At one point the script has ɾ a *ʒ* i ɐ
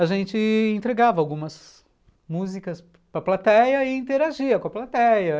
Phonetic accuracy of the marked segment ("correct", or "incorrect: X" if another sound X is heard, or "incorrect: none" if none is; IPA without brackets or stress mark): correct